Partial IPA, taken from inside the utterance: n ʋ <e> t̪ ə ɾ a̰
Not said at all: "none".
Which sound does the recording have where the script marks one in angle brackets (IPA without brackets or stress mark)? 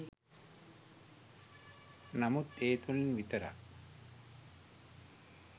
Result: i